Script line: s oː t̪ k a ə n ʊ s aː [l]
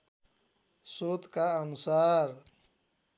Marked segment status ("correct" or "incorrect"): incorrect